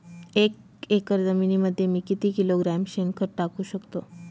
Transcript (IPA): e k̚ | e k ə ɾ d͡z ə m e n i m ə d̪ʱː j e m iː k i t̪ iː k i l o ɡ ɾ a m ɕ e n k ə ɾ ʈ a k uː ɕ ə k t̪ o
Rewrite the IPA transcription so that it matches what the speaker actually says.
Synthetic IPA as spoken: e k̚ | e k ə ɾ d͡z ə m i n i m ə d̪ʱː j e m iː k i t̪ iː k i l o ɡ ɾ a m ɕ e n k ə ɾ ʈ a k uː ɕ ə k t̪ o